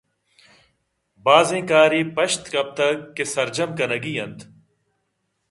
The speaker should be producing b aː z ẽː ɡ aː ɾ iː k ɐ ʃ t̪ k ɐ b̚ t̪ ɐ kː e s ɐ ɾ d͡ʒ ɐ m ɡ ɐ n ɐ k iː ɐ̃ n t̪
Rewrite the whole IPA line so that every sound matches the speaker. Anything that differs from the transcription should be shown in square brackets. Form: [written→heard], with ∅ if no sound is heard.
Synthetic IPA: b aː z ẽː [ɡ→k] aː ɾ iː [k→p] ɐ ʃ t̪ k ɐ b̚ t̪ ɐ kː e s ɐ ɾ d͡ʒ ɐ m [ɡ→k] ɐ n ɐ [k→ɡ] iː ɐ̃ n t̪